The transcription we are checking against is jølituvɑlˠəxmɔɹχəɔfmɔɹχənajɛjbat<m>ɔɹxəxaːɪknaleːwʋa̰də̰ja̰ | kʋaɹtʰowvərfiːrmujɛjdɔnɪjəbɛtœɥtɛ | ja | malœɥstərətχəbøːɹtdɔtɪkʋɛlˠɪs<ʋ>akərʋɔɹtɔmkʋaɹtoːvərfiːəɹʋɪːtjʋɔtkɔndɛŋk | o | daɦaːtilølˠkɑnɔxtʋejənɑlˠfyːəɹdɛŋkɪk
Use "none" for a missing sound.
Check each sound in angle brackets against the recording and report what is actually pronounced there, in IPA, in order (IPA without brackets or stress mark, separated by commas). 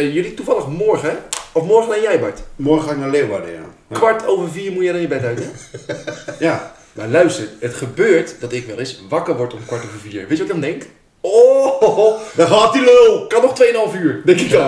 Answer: m, ʋ